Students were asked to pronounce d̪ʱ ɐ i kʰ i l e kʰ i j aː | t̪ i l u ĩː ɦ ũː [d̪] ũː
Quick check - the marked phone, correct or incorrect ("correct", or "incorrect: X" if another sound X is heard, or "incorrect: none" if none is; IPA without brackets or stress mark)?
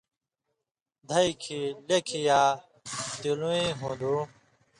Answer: correct